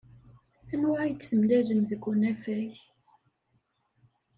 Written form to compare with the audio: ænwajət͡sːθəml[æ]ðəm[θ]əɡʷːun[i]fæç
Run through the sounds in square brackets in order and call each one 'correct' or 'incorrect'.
correct, incorrect, incorrect

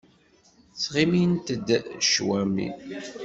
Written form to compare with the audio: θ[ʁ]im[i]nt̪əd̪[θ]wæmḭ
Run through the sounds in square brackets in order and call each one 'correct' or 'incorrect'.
correct, correct, incorrect

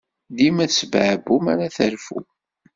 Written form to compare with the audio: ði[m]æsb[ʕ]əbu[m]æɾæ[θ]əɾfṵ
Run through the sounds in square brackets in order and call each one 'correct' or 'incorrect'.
correct, correct, correct, correct

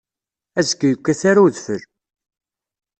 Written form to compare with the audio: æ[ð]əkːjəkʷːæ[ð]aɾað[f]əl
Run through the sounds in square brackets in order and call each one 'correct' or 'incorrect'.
incorrect, incorrect, correct

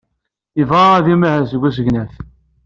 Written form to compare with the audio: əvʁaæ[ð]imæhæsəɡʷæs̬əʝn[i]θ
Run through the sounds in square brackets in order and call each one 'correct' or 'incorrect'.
correct, incorrect

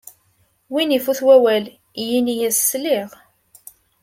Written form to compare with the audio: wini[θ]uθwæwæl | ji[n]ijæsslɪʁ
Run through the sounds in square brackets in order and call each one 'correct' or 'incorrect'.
incorrect, correct

